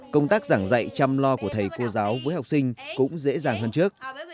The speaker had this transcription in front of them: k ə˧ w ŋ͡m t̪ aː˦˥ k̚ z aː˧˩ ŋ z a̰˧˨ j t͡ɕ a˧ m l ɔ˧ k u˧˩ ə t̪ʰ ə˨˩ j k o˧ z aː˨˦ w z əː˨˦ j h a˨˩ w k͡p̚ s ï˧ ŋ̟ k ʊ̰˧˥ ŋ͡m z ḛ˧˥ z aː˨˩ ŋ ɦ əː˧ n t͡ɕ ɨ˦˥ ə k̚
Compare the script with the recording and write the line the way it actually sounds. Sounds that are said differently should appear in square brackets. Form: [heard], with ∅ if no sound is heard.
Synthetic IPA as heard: k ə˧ w ŋ͡m t̪ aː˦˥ k̚ z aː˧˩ ŋ z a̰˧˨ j t͡ɕ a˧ m l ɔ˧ k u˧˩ ə t̪ʰ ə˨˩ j k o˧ z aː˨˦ w [v] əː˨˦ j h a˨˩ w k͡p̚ s ï˧ ŋ̟ k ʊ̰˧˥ ŋ͡m z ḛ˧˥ z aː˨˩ ŋ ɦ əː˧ n t͡ɕ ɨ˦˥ ə k̚